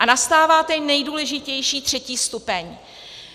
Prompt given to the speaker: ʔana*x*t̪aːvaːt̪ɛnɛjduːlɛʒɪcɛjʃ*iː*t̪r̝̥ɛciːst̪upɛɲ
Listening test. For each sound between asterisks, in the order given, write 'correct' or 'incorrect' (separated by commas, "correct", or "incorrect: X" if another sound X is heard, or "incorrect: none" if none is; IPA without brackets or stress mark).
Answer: incorrect: s, correct